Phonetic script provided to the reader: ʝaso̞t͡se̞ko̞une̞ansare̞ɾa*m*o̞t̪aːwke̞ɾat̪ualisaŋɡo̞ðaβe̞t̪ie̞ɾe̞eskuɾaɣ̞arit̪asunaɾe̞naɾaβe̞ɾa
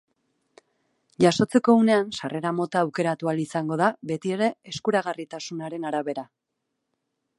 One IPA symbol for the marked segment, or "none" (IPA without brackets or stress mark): m